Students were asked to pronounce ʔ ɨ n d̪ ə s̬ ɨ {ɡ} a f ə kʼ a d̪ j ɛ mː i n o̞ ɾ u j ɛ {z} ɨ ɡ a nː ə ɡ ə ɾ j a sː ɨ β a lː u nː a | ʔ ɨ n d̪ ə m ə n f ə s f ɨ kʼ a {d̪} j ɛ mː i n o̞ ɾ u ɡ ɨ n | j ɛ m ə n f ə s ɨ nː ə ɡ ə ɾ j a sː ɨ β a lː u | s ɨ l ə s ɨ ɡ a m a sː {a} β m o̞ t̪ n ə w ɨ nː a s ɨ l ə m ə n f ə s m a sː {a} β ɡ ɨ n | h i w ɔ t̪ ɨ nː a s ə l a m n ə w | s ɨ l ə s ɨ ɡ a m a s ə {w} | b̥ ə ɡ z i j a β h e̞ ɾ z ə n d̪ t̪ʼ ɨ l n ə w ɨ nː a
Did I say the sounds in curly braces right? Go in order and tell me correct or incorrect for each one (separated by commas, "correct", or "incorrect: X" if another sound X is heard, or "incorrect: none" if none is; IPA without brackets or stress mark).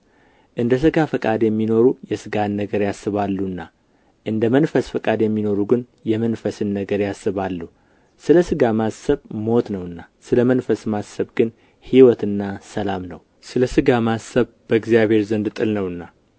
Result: correct, incorrect: s, correct, incorrect: ə, incorrect: ə, incorrect: β